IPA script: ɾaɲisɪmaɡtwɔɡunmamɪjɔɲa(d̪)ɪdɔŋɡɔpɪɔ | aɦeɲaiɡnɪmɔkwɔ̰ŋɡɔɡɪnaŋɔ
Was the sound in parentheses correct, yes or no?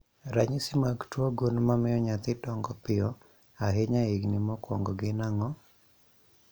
no